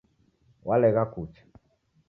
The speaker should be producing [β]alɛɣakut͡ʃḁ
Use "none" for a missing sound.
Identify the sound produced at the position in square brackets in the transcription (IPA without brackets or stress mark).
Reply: w